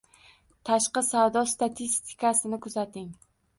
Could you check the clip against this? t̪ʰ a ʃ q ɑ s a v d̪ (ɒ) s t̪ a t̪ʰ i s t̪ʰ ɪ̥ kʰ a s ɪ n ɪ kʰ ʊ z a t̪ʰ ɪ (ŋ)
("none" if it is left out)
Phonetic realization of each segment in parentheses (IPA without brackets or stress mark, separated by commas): ɒ, ŋ